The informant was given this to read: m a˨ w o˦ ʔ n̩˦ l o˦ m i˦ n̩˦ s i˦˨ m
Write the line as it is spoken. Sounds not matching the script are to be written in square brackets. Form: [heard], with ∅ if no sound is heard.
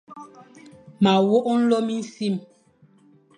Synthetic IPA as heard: m a˨ w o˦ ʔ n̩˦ l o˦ m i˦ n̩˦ s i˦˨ m